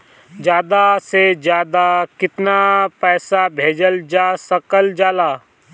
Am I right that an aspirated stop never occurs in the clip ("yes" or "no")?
yes